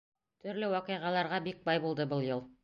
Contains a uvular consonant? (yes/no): yes